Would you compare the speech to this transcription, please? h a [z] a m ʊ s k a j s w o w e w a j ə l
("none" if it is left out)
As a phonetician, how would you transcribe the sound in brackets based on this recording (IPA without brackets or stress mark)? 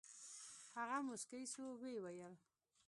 ɣ